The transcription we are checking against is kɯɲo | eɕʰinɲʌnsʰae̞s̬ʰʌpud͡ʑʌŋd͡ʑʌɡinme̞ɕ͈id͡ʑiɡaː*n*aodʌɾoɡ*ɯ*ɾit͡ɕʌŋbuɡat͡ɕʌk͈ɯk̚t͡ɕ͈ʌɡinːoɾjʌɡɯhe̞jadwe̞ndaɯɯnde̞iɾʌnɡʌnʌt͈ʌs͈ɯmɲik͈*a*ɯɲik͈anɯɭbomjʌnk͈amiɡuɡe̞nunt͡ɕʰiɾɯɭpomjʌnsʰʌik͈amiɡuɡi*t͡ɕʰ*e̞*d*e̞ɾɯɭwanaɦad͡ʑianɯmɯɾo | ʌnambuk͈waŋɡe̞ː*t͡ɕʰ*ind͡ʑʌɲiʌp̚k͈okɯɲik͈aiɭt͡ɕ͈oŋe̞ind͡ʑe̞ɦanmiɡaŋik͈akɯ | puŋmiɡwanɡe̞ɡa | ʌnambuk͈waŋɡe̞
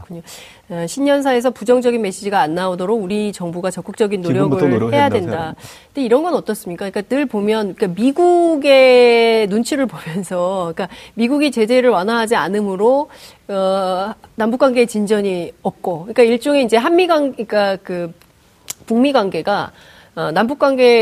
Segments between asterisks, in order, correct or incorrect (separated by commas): incorrect, incorrect, correct, incorrect, incorrect, incorrect